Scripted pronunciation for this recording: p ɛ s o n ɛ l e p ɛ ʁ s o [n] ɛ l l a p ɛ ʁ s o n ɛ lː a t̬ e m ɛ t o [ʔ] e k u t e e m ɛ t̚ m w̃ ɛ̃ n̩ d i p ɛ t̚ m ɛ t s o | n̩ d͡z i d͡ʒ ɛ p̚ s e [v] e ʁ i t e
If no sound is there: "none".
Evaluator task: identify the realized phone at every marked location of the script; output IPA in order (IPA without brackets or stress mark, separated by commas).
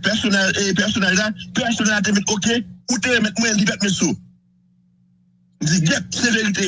n, k, v